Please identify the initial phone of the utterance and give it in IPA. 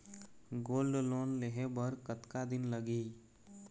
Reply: ɡ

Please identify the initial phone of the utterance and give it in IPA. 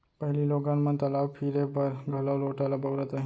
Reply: p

